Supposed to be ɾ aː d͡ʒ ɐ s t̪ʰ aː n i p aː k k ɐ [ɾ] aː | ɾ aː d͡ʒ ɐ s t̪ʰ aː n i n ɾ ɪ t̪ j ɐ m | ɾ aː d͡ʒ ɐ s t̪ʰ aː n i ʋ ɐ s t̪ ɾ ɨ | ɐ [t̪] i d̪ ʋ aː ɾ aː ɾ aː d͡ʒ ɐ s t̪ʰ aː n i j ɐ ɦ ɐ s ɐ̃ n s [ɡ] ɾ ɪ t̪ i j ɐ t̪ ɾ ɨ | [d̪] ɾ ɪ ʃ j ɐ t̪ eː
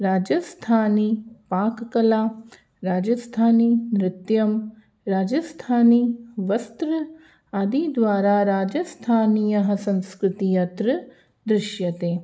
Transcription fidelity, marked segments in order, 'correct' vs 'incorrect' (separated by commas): incorrect, incorrect, incorrect, correct